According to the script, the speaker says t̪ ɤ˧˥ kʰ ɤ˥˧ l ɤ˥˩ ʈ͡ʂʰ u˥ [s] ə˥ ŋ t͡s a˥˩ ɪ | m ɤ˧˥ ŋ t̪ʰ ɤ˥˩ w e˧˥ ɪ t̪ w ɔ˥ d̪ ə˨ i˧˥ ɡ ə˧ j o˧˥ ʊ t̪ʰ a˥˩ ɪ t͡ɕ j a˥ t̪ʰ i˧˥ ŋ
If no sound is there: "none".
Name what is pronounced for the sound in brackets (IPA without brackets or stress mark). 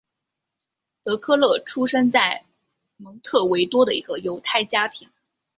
ʂ